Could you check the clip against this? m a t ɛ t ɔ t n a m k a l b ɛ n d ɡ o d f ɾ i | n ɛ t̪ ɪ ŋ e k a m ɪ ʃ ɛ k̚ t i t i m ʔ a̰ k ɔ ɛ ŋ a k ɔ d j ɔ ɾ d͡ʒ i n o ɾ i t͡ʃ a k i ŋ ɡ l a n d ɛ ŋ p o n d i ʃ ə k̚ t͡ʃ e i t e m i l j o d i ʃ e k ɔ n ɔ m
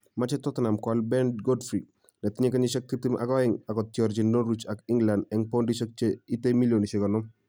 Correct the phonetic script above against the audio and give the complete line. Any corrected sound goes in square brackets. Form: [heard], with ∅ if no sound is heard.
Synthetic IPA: m a [t͡ʃ] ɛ t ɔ t n a m k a l b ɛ n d ɡ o d f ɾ i | n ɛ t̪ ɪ [ɲ] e k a [ɲ] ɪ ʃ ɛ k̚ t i t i m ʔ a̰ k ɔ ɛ ŋ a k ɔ [t] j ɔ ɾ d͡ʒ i n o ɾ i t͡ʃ a k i ŋ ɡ l a n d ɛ ŋ p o n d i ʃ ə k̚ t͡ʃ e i t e m i l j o [n] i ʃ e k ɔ n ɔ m